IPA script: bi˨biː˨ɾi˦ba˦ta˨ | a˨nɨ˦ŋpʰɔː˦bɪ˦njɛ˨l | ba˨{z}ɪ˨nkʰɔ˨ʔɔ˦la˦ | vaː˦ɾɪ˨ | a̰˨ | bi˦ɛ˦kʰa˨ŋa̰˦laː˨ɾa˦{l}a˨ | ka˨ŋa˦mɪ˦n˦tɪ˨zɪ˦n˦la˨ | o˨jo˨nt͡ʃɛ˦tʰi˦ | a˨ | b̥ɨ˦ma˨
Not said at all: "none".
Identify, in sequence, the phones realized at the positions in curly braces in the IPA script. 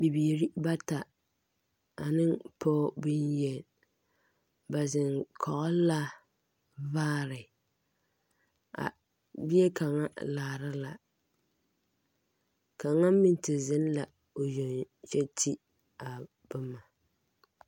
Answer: z, l

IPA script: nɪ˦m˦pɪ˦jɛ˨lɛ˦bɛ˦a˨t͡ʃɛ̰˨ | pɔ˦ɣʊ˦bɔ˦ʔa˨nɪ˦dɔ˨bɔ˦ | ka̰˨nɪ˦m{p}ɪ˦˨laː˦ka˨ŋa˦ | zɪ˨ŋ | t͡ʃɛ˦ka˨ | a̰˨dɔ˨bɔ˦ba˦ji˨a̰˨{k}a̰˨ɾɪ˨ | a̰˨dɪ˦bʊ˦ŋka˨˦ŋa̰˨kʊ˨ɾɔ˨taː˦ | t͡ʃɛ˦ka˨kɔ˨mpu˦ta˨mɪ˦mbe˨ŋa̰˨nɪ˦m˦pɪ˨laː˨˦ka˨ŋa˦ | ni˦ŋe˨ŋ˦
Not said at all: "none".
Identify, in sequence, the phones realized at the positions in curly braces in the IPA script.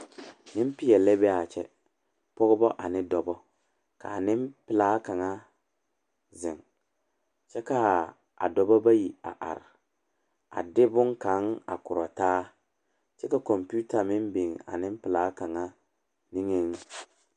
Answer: p, ʔ

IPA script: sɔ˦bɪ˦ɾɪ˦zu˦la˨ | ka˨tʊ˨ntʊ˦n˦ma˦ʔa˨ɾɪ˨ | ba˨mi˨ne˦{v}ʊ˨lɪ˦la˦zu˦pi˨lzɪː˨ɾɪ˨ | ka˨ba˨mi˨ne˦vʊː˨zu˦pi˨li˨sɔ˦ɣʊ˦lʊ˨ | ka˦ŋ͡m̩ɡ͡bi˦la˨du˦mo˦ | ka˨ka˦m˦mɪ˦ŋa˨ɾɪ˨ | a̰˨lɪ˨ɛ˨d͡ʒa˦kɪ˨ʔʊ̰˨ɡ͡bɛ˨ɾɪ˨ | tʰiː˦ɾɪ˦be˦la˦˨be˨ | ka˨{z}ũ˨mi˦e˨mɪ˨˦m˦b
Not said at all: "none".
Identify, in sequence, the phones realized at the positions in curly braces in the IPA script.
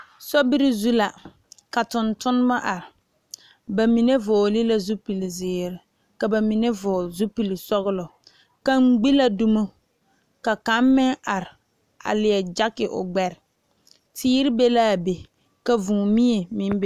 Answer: v, v

